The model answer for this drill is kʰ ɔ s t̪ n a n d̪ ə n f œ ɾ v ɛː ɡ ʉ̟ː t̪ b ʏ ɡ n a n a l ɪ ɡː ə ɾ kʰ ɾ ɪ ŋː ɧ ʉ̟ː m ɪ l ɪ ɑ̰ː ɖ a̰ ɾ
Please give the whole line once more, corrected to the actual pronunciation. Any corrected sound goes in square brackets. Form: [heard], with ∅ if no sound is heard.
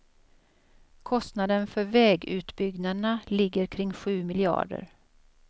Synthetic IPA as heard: kʰ ɔ s t̪ n a [∅] d̪ ə n f œ ɾ v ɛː ɡ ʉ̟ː t̪ b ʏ ɡ n a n a l ɪ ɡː ə ɾ kʰ ɾ ɪ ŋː ɧ ʉ̟ː m ɪ l ɪ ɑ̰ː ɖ [ə̰] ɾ